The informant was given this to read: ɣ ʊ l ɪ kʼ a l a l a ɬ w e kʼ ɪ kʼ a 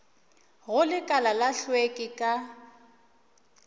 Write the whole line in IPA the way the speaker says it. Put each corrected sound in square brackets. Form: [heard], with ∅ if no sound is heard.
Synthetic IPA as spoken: ɣ ʊ l ɪ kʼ a l a l a ɬ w e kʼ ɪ kʼ a